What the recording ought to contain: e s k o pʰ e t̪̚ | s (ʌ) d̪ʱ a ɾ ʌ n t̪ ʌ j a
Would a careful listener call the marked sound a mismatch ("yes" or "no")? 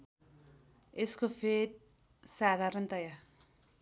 yes